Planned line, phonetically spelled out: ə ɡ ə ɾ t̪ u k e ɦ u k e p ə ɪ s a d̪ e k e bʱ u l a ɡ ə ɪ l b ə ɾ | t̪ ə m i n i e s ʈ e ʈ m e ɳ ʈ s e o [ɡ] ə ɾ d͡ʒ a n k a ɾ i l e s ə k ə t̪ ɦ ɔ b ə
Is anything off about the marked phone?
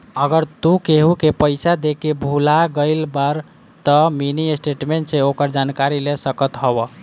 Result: yes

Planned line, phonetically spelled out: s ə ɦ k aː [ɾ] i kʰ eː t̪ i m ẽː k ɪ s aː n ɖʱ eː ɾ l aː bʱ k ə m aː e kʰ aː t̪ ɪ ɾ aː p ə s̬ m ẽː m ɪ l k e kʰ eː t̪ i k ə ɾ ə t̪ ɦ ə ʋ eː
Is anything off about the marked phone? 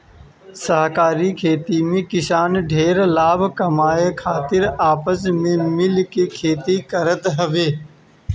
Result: no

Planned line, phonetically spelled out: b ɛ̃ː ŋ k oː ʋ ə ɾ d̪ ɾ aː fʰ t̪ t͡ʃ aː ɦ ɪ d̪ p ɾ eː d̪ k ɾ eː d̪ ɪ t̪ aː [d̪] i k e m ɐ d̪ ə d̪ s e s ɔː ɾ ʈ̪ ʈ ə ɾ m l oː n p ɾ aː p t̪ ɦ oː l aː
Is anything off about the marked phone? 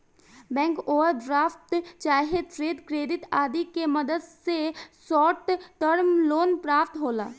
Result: no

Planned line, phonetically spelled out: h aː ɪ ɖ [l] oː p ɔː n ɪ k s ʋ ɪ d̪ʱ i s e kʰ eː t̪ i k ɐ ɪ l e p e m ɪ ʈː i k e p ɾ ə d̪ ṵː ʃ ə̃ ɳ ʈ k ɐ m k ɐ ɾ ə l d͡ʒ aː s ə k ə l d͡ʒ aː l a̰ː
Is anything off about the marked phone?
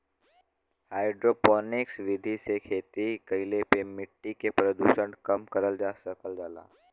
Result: yes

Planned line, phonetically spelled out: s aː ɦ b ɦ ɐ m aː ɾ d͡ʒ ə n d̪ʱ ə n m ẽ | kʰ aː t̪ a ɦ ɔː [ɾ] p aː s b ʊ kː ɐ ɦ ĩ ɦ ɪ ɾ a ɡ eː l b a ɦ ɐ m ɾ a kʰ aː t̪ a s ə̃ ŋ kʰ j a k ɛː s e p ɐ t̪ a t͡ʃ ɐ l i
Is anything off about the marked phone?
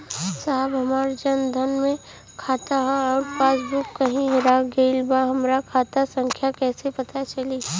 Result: no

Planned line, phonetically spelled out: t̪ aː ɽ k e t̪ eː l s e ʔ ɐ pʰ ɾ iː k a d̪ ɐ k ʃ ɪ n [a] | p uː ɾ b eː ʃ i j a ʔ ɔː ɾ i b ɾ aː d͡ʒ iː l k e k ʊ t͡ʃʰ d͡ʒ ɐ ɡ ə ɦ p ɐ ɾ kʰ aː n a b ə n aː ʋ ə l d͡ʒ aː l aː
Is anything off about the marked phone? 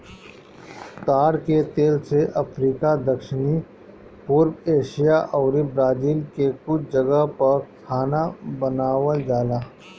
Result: yes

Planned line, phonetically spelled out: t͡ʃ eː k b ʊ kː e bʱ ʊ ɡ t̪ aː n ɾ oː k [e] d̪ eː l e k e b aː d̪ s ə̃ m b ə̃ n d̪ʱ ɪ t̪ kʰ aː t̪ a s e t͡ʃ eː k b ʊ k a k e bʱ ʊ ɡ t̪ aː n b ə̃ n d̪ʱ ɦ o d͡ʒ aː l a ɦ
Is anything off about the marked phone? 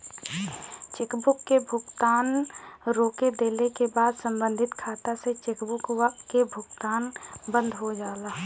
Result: no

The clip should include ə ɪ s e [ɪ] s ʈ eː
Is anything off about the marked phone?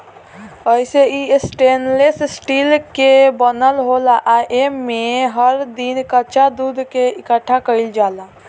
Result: yes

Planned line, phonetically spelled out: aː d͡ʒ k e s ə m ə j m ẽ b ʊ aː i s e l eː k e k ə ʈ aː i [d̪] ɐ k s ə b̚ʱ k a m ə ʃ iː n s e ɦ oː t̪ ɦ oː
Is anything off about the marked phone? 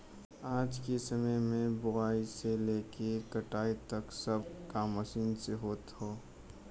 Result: yes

